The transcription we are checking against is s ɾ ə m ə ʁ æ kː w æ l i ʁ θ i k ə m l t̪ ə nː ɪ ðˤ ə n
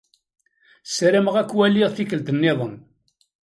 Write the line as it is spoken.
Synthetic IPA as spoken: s ɾ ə m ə ʁ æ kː w æ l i ʁ θ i k ə l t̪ ə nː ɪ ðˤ ə n

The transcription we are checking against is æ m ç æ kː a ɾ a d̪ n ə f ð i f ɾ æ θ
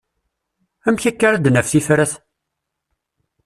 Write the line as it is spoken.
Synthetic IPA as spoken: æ m ç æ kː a ɾ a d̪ n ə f θ i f ɾ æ θ

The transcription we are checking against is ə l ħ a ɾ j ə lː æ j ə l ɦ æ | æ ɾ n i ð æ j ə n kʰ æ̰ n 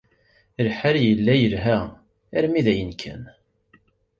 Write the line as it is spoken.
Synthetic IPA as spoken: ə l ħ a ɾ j ə lː æ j ə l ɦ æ | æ ɾ m i ð æ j ə n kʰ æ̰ n

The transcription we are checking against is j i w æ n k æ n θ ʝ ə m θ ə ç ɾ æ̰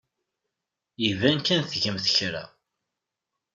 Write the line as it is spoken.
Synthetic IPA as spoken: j i v æ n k æ n θ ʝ ə m θ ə ç ɾ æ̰

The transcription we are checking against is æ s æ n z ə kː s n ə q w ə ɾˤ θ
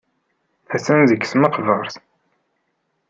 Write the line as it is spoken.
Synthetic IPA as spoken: æ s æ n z ə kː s m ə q v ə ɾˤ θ

